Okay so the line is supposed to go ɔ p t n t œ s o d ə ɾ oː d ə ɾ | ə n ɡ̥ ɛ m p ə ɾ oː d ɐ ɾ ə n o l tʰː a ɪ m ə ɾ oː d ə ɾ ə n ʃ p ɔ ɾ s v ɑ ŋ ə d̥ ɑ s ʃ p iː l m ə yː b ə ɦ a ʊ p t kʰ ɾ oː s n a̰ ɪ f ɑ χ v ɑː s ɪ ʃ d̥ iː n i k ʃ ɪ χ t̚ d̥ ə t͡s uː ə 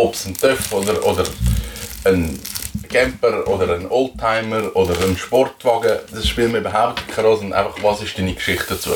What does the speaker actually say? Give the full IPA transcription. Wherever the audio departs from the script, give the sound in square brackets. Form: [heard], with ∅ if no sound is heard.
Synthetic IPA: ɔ p [s] n t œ [f] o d ə ɾ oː d ə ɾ | ə n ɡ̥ ɛ m p ə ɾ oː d [ə] ɾ ə n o l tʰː a ɪ m ə ɾ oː d ə ɾ ə n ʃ p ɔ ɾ [t] v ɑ [ɡ] ə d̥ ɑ s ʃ p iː l m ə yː b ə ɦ a ʊ p t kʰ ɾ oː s n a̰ ɪ f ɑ χ v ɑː s ɪ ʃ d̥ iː n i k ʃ ɪ χ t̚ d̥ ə t͡s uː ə